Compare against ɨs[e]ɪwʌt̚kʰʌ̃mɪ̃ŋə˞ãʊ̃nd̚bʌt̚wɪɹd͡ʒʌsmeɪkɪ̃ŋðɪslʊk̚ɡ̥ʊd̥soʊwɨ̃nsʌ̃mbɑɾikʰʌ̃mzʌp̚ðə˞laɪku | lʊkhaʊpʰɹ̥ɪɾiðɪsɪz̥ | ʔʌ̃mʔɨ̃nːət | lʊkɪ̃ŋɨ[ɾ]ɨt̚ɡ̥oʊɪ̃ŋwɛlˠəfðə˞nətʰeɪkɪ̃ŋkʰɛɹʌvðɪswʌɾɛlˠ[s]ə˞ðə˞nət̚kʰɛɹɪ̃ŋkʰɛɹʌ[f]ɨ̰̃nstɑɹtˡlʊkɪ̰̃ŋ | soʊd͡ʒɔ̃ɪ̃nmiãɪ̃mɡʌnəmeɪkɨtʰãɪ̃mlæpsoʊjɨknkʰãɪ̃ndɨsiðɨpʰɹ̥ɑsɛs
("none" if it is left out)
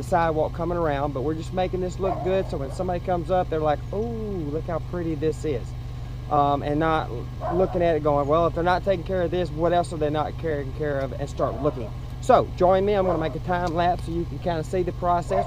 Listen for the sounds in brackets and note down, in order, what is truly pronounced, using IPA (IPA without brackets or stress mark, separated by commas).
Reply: a, ɾ, s, v